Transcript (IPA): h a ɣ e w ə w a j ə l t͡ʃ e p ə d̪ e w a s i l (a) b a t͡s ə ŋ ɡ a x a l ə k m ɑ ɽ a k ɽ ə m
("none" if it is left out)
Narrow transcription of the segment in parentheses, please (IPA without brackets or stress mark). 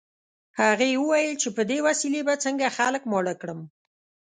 e